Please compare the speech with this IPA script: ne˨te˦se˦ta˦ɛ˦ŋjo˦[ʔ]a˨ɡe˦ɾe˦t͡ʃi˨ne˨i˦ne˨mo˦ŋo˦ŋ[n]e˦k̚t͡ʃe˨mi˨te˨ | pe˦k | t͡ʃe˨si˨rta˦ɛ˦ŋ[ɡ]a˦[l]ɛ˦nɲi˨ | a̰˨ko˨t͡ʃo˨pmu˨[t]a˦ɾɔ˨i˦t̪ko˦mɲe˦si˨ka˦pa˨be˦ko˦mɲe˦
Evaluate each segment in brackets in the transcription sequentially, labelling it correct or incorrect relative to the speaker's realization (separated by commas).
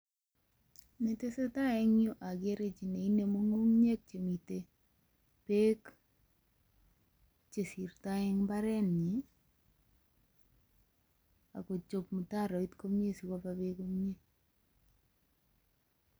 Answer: correct, incorrect, incorrect, incorrect, correct